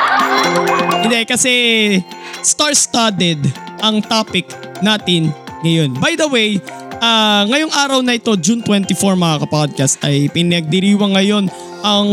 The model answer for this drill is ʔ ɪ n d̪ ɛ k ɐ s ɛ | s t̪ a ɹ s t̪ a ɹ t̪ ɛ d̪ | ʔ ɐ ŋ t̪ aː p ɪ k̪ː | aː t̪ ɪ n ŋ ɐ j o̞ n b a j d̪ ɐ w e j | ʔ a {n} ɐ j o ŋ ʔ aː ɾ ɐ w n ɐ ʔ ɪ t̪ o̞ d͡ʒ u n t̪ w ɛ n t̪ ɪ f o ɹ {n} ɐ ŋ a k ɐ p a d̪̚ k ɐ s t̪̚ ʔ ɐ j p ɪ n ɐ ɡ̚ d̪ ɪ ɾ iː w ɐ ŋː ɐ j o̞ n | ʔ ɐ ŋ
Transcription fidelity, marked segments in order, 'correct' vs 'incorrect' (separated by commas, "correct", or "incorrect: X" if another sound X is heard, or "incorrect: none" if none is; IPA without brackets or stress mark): incorrect: ŋ, incorrect: m